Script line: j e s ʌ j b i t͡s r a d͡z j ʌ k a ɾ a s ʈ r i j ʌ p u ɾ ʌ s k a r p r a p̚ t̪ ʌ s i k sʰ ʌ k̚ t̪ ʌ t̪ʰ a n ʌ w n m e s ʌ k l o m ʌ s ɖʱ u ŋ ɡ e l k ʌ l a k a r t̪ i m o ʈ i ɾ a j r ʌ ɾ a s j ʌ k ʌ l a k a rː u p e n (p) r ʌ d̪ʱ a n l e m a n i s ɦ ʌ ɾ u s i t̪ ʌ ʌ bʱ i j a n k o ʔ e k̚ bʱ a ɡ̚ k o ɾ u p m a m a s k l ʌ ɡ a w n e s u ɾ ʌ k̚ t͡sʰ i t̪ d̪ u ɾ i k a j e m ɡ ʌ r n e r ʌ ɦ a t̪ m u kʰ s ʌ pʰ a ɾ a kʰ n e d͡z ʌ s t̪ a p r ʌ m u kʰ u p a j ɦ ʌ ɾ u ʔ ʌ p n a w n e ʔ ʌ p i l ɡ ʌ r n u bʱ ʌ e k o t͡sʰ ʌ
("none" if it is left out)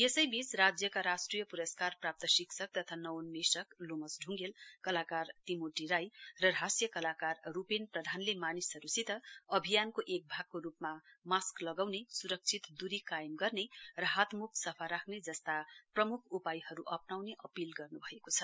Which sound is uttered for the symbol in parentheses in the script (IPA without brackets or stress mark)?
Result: p